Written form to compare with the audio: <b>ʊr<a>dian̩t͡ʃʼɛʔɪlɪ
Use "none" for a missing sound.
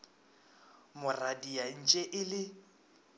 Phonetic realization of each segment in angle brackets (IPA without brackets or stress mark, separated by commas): m, a